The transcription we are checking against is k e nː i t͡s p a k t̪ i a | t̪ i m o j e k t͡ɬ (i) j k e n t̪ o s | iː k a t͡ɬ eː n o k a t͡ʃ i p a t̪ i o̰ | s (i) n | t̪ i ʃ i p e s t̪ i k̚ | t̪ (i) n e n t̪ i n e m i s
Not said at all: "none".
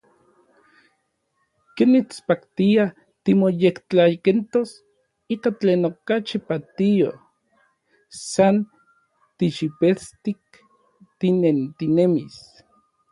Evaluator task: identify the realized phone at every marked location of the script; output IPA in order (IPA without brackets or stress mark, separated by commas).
a, a, i